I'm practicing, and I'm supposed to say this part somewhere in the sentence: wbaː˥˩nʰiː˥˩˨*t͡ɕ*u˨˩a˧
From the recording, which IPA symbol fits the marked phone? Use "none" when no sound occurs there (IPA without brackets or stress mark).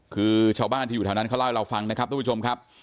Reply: none